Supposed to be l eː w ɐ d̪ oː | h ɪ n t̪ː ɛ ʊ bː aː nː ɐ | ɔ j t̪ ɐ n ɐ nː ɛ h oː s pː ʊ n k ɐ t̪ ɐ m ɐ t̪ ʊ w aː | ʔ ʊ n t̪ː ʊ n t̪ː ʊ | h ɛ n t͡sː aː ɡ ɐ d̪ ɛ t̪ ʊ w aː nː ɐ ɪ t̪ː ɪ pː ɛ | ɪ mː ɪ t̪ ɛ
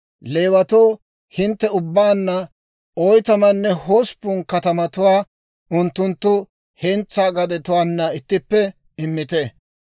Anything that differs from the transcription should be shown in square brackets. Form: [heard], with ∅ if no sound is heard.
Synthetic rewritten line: l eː w ɐ [t̪] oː | h ɪ n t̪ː ɛ ʊ bː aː nː ɐ | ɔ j t̪ ɐ [m] ɐ nː ɛ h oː s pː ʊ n k ɐ t̪ ɐ m ɐ t̪ ʊ w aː | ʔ ʊ n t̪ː ʊ n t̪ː ʊ | h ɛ n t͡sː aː ɡ ɐ d̪ ɛ t̪ ʊ w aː nː ɐ ɪ t̪ː ɪ pː ɛ | ɪ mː ɪ t̪ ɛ

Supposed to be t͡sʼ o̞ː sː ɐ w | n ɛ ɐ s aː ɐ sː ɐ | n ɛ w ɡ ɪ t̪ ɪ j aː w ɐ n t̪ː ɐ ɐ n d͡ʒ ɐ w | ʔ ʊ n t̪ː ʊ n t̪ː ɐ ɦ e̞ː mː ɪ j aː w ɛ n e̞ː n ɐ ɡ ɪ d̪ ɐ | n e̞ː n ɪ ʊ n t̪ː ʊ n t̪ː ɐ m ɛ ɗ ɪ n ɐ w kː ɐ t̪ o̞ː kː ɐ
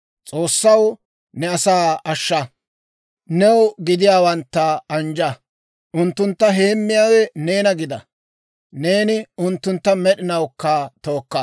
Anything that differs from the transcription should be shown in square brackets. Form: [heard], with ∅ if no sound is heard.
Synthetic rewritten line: t͡sʼ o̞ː sː ɐ w | n ɛ ɐ s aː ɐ [ʃː] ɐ | n ɛ w ɡ ɪ [d̪] ɪ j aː w ɐ n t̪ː ɐ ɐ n d͡ʒ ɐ [∅] | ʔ ʊ n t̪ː ʊ n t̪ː ɐ ɦ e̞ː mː ɪ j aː w ɛ n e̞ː n ɐ ɡ ɪ d̪ ɐ | n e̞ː n ɪ ʊ n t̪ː ʊ n t̪ː ɐ m ɛ ɗ ɪ n ɐ w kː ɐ t̪ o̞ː kː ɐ

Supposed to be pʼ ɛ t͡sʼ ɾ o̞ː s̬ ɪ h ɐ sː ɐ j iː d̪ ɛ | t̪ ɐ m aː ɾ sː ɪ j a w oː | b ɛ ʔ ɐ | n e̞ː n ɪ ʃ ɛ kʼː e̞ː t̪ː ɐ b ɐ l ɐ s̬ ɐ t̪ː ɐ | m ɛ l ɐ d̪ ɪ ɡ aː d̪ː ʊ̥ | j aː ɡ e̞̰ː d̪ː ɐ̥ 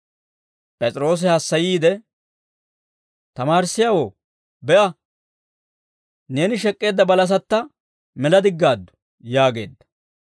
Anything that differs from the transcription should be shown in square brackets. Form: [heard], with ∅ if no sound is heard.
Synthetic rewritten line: pʼ ɛ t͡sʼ ɾ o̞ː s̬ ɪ h ɐ sː ɐ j iː d̪ ɛ | t̪ ɐ m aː ɾ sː ɪ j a w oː | b ɛ ʔ ɐ | n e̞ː n ɪ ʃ ɛ kʼː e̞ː [d̪ː] ɐ b ɐ l ɐ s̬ ɐ t̪ː ɐ | m ɛ l ɐ d̪ ɪ [ɡː] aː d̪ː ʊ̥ | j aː ɡ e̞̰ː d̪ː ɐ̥

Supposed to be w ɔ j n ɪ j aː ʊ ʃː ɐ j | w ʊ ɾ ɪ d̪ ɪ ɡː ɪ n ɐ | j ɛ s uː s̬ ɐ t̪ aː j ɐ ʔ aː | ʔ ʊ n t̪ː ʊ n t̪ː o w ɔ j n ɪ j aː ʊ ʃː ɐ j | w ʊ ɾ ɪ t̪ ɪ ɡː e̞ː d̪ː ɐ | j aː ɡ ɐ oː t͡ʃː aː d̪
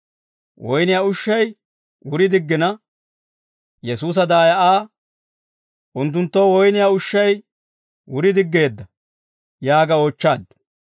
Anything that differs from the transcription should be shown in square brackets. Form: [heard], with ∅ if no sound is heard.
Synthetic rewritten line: w ɔ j n ɪ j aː ʊ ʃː ɐ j | w ʊ ɾ ɪ d̪ ɪ ɡː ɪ n ɐ | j ɛ s uː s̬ ɐ [d̪] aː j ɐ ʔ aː | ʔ ʊ n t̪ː ʊ n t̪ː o w ɔ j n ɪ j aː ʊ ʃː ɐ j | w ʊ ɾ ɪ [d̪] ɪ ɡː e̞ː d̪ː ɐ | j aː ɡ ɐ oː t͡ʃː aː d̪

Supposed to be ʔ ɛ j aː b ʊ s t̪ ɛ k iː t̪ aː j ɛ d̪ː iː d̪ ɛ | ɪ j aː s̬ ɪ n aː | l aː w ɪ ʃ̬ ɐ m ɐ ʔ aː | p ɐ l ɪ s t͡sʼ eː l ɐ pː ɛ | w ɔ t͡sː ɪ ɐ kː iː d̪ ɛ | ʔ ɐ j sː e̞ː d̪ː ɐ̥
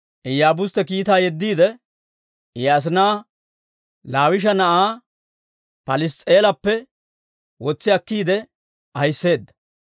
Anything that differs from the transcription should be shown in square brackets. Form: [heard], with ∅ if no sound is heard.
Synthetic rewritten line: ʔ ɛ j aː b ʊ s t̪ ɛ k iː t̪ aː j ɛ d̪ː iː d̪ ɛ | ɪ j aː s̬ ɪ n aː | l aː w ɪ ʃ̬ ɐ [n] ɐ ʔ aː | p ɐ l ɪ s t͡sʼ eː l ɐ pː ɛ | w ɔ t͡sː ɪ ɐ kː iː d̪ ɛ | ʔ ɐ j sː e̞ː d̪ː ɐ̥

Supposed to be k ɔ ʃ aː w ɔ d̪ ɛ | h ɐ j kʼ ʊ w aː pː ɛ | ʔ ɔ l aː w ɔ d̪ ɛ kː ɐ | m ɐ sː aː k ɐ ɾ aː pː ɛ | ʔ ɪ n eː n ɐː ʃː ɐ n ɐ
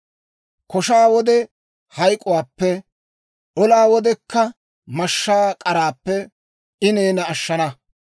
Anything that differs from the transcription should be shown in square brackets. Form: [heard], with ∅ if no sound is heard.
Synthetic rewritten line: k ɔ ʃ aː w ɔ d̪ ɛ | h ɐ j kʼ ʊ w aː pː ɛ | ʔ ɔ l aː w ɔ d̪ ɛ kː ɐ | m ɐ [ʃː] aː [kʼ] ɐ ɾ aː pː ɛ | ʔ ɪ n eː n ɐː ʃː ɐ n ɐ

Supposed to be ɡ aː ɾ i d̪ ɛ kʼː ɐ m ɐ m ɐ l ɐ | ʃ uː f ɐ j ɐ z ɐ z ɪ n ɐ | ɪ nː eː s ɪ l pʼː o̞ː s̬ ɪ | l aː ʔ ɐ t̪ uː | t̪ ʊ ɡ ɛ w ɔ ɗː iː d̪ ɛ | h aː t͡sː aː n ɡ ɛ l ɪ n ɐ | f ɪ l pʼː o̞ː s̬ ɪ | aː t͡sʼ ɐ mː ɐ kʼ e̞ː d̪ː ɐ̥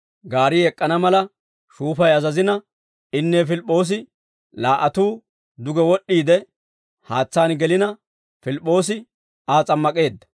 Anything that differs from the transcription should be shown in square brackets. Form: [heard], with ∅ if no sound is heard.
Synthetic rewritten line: ɡ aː ɾ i [∅] ɛ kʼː ɐ [n] ɐ m ɐ l ɐ | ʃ uː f ɐ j ɐ z ɐ z ɪ n ɐ | ɪ nː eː [f] ɪ l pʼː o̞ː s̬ ɪ | l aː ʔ ɐ t̪ uː | [d̪] ʊ ɡ ɛ w ɔ ɗː iː d̪ ɛ | h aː t͡sː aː n ɡ ɛ l ɪ n ɐ | f ɪ l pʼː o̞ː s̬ ɪ | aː t͡sʼ ɐ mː ɐ kʼ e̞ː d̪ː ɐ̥

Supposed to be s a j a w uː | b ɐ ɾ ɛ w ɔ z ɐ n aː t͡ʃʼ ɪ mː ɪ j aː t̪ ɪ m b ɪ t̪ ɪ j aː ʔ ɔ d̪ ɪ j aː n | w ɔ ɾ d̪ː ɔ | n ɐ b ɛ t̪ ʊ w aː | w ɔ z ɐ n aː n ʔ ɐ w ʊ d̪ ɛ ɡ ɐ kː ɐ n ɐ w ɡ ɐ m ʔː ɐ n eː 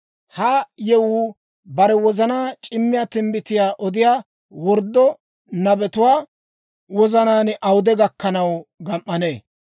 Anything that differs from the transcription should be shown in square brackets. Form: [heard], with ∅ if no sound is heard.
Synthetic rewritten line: [h] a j [ɛ] w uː | b ɐ ɾ ɛ w ɔ z ɐ n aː t͡ʃʼ ɪ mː ɪ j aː t̪ ɪ m b ɪ t̪ ɪ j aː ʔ ɔ d̪ ɪ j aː [∅] | w ɔ ɾ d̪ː ɔ | n ɐ b ɛ t̪ ʊ w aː | w ɔ z ɐ n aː n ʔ ɐ w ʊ d̪ ɛ ɡ ɐ kː ɐ n ɐ w ɡ ɐ m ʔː ɐ n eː

